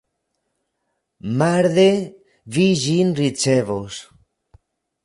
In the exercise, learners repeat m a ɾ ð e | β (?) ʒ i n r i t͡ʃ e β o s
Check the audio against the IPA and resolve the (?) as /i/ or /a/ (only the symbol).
i